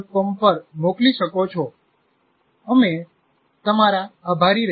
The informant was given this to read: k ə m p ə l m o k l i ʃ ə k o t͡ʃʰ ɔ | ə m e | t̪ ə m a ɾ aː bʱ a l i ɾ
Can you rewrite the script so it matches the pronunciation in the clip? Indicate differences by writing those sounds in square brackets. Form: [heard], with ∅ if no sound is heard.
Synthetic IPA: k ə m p ə [ɾ] m o k l i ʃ ə k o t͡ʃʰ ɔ | ə m e | t̪ ə m a ɾ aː bʱ a [ɾ] i ɾ